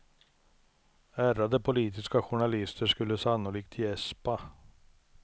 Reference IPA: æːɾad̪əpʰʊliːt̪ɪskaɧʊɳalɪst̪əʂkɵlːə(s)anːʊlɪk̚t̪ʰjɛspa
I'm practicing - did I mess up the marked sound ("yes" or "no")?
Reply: no